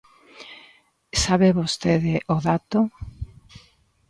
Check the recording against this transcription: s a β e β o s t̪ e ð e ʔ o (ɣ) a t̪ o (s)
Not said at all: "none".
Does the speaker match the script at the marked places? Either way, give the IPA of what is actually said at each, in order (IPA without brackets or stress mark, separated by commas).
ð, none